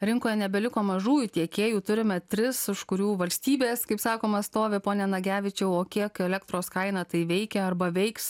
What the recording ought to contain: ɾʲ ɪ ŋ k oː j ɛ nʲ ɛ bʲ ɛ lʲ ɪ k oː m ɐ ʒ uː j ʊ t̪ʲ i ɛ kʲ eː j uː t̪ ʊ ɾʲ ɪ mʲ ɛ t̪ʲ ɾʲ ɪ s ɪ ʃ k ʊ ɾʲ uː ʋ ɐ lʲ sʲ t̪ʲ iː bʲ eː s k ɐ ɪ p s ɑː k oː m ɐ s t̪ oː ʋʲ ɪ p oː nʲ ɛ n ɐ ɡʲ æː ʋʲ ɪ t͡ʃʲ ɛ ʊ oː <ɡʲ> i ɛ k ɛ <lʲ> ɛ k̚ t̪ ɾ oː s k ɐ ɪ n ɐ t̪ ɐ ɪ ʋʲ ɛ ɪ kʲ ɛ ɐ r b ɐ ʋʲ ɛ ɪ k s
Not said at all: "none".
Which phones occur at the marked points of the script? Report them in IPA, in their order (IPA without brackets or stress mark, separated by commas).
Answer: kʲ, lʲ